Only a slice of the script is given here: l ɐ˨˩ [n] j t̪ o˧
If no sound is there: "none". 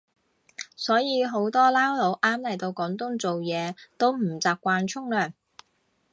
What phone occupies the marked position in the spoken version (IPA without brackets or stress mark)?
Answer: none